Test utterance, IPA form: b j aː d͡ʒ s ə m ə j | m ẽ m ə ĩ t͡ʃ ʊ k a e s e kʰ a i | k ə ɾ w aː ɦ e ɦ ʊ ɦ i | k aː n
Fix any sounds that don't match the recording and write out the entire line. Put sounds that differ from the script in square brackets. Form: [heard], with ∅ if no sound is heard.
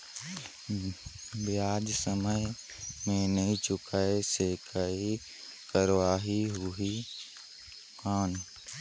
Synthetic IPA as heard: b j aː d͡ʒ s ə m ə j | m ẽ [n] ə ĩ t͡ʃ ʊ k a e s e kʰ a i | k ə ɾ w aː ɦ [i] ɦ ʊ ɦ i | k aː n

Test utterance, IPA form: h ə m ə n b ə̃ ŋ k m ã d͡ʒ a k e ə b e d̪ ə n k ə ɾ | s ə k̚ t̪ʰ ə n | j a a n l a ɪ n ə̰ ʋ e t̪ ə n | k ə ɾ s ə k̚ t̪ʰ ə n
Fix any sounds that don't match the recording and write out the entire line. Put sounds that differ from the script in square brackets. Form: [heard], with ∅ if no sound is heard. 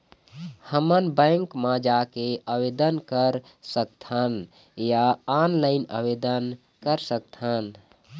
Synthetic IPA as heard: h ə m ə n b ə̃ ŋ k m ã d͡ʒ a k e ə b e d̪ ə n k ə ɾ | s ə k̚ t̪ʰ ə n | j a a n l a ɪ n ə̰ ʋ e [d̪] ə n | k ə ɾ s ə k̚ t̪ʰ ə n

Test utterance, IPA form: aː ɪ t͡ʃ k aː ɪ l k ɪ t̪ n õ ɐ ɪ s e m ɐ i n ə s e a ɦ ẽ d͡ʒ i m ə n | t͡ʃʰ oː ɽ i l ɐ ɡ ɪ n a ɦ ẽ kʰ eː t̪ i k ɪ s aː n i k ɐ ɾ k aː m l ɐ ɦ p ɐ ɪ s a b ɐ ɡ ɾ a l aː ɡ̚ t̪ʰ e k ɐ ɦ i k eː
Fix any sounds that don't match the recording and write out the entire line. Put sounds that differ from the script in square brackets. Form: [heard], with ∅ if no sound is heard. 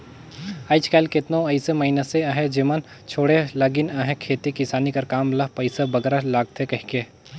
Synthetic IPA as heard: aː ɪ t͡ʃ k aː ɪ l k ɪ t̪ n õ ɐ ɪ s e m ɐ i n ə s e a ɦ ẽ d͡ʒ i m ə n | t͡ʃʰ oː ɽ [e] l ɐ ɡ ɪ n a ɦ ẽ kʰ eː t̪ i k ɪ s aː n i k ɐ ɾ k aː m l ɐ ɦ p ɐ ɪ s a b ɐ ɡ ɾ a l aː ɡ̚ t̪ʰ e k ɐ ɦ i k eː

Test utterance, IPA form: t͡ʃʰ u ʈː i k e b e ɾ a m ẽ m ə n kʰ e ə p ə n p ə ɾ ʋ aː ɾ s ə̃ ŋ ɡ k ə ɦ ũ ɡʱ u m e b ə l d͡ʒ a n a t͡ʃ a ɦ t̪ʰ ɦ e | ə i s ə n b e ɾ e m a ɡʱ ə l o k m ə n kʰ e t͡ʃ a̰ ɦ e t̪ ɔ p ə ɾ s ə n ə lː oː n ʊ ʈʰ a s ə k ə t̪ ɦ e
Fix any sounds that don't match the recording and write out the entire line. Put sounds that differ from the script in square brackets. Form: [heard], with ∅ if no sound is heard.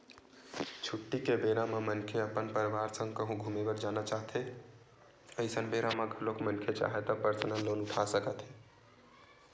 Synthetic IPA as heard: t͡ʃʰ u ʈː i k e b e ɾ a m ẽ m ə n kʰ e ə p ə n p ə ɾ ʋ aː ɾ s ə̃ ŋ ɡ k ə ɦ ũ ɡʱ u m e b ə [ɾ] d͡ʒ a n a t͡ʃ a ɦ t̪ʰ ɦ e | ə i s ə n b e ɾ [a] m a ɡʱ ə l o k m ə n kʰ e t͡ʃ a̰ ɦ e t̪ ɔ p ə ɾ s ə n ə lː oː n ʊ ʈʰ a s ə k ə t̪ ɦ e

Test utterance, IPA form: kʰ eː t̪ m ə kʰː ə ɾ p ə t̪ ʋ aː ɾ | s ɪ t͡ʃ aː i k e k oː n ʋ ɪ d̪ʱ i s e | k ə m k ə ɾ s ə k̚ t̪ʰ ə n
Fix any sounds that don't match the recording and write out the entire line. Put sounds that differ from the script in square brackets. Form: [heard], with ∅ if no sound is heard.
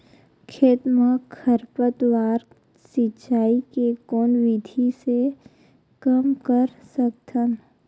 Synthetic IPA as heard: kʰ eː t̪ m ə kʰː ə ɾ p ə t̪ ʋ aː ɾ | s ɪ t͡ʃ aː i k e k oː n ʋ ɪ d̪ʱ i s e | k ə m k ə ɾ s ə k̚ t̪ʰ ə n

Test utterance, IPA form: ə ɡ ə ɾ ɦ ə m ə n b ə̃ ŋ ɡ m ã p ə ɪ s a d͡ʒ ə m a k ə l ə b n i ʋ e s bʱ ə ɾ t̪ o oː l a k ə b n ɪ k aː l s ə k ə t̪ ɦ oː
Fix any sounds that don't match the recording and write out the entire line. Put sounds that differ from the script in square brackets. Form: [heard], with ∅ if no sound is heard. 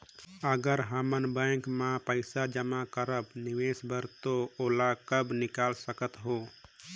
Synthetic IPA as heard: ə ɡ ə ɾ ɦ ə m ə n b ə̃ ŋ [k] m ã p ə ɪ s a d͡ʒ ə m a k ə [ɾ] ə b n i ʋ e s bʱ ə ɾ t̪ o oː l a k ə b n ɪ k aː l s ə k ə t̪ ɦ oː

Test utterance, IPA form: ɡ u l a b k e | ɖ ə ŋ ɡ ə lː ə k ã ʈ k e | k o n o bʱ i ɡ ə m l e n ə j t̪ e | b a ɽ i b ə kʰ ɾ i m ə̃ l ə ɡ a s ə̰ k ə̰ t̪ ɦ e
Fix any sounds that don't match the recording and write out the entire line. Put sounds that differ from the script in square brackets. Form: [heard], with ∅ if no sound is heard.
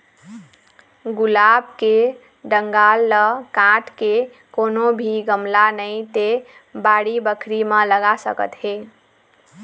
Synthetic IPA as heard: ɡ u l a b k e | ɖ ə ŋ ɡ [a] lː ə k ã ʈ k e | k o n o bʱ i ɡ ə m l [a] n ə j t̪ e | b a ɽ i b ə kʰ ɾ i m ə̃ l ə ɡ a s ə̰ k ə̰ t̪ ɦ e

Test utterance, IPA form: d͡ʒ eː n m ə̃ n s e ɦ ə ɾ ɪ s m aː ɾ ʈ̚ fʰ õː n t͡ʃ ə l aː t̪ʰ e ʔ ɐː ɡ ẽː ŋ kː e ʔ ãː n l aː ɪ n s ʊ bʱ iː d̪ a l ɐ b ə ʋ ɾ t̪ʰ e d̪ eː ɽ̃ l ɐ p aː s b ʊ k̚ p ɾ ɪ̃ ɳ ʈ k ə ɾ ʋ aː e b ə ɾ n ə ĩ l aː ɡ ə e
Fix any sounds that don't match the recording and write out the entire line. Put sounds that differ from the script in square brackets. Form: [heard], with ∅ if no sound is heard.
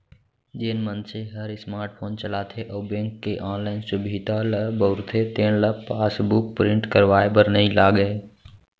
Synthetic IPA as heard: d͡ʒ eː n m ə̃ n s e ɦ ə ɾ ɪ s m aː ɾ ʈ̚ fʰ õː n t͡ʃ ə l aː t̪ʰ e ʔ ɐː [b] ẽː ŋ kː e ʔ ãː n l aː ɪ n s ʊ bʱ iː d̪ a l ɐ b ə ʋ ɾ t̪ʰ e [t̪] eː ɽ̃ l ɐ p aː s b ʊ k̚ p ɾ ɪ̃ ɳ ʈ k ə ɾ ʋ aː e b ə ɾ n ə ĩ l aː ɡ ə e

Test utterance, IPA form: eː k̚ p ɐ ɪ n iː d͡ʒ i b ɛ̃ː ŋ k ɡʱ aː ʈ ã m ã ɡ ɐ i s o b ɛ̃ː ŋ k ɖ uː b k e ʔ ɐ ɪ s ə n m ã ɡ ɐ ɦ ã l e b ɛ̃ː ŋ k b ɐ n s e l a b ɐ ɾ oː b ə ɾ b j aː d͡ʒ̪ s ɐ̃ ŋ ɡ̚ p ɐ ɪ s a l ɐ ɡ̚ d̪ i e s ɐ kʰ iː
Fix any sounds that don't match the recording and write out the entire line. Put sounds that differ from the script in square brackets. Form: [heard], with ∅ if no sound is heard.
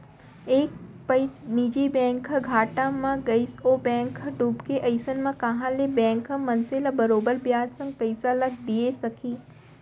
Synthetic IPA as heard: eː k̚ p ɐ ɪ n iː d͡ʒ i b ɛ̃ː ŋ k ɡʱ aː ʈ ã m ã ɡ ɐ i s o b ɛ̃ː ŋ k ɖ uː b k e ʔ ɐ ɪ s ə n m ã [k] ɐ ɦ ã l e b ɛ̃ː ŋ k [m] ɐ n s e l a b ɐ ɾ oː b ə ɾ b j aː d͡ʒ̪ s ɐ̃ ŋ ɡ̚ p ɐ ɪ s a l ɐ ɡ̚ d̪ i e s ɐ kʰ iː

